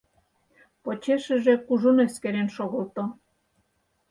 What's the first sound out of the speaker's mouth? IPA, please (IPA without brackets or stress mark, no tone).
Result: p